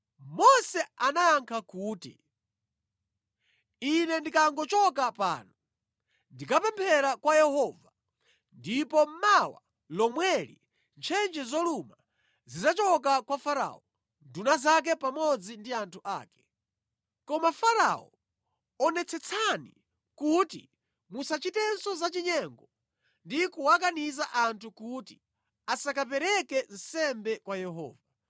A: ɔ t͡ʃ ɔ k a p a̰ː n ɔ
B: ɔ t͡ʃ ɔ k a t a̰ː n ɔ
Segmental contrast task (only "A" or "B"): A